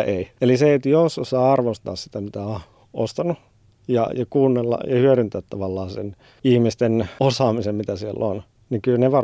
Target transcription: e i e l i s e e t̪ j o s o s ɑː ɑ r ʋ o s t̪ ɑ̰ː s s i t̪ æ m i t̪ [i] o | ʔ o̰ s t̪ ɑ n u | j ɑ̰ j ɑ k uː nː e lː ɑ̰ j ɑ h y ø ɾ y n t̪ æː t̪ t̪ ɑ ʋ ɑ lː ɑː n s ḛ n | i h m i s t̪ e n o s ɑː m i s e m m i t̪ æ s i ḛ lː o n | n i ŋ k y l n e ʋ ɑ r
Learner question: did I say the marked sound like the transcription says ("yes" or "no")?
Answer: no